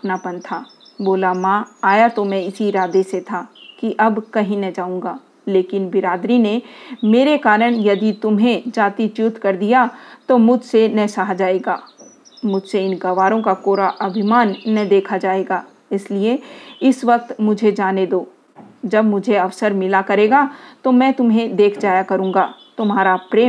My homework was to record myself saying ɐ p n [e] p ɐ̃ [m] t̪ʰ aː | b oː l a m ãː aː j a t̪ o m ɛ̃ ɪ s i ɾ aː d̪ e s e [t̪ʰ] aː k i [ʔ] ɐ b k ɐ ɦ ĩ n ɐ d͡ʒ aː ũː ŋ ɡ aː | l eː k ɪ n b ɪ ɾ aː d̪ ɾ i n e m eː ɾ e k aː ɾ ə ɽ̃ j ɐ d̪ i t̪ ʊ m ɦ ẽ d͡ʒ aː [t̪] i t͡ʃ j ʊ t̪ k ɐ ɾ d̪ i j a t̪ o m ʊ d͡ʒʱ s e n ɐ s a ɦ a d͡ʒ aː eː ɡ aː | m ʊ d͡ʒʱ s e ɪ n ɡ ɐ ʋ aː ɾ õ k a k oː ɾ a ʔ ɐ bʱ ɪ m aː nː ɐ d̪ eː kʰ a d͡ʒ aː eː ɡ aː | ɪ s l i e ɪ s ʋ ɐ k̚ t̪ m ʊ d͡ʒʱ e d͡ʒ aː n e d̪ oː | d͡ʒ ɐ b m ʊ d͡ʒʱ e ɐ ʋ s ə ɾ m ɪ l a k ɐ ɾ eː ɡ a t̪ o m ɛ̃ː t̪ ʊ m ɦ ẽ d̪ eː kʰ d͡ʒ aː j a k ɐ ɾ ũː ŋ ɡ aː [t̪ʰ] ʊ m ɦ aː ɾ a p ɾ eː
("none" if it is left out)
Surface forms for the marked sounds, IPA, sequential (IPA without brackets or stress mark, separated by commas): a, n, t̪ʰ, ʔ, t̪, t̪